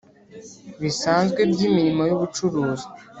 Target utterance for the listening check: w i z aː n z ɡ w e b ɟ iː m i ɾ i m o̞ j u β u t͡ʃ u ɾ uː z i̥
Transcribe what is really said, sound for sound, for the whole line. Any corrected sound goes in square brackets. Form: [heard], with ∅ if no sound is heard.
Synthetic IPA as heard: [β] i [s] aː n z ɡ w e b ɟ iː m i ɾ i m o̞ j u β u t͡ʃ u ɾ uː z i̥